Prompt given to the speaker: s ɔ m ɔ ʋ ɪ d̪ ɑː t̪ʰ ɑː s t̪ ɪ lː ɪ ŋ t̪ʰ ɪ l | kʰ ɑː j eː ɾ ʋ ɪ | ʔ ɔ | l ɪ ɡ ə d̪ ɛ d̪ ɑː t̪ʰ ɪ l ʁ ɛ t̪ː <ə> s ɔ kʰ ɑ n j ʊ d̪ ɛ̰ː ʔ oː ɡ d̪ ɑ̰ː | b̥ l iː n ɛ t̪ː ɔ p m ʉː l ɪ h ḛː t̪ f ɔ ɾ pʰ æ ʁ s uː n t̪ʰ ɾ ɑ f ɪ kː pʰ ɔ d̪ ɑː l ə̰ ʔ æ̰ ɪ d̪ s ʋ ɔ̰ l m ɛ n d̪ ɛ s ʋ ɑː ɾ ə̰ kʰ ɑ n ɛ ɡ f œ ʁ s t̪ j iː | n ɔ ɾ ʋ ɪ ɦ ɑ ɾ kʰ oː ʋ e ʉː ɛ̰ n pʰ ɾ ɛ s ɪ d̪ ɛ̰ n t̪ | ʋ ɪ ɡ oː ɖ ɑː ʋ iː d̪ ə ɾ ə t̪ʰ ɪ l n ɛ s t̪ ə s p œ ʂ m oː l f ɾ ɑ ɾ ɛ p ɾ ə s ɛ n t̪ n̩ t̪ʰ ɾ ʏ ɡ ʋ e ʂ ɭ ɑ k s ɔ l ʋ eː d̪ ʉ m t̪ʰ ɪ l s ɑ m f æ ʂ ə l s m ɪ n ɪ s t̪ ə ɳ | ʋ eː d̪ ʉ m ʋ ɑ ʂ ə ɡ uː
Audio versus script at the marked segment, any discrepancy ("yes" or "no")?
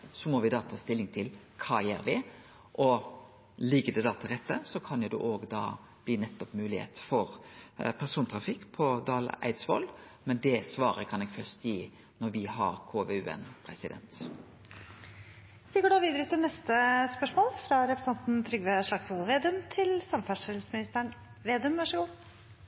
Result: no